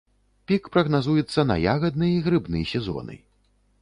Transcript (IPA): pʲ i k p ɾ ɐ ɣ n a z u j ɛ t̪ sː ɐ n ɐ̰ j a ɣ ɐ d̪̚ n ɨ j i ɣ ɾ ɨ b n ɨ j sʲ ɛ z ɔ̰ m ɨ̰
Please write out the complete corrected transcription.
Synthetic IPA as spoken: pʲ i k p ɾ ɐ ɣ n a z u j ɛ t̪ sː ɐ n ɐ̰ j a ɣ ɐ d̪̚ n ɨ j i ɣ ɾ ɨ b n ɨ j sʲ ɛ z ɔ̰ n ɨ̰